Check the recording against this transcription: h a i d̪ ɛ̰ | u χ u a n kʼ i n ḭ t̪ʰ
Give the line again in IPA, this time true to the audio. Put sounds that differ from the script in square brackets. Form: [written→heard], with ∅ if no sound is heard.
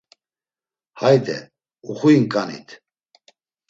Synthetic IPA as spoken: h a [i→j] d̪ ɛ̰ | u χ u [a→i] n kʼ [i→a] n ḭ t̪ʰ

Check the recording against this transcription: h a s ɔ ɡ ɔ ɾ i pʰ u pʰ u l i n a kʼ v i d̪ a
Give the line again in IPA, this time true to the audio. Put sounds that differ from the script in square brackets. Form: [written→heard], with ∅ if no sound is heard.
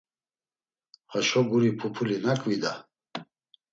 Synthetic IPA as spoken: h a [s→ʃ] ɔ ɡ [ɔ→u] ɾ i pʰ u pʰ u l i n a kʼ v i d̪ a

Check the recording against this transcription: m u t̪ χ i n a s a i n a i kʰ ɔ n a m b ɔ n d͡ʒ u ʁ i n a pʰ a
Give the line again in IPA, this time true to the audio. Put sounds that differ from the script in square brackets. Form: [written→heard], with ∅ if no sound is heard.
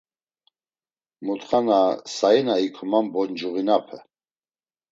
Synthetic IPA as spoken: m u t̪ χ [i→a] n a s a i n a i kʰ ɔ [n→m] a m b ɔ n d͡ʒ u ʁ i n a pʰ [a→ɛ]

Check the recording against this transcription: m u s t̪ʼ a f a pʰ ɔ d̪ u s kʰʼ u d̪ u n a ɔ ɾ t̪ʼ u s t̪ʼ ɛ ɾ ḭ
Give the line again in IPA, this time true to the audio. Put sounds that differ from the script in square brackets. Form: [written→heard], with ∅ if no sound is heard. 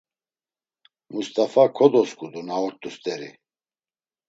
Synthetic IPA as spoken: m u s t̪ʼ a f a [pʰ→kʰ] ɔ d̪ [u→ɔ] s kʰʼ u d̪ u n a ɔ ɾ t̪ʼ u s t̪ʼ ɛ ɾ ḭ

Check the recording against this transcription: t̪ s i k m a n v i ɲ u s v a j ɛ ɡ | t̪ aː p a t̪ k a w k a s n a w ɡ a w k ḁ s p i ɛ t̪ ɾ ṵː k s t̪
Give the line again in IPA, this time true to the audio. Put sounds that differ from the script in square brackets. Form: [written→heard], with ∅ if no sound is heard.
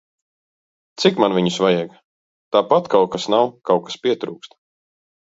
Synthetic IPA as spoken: t̪ s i k m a n v i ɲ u s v a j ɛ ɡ | t̪ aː p a t̪ k a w k a s n a w [ɡ→k] a w k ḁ s p i ɛ t̪ ɾ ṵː k s t̪

